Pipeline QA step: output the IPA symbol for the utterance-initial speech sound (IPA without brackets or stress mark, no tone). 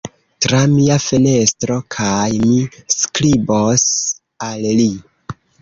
t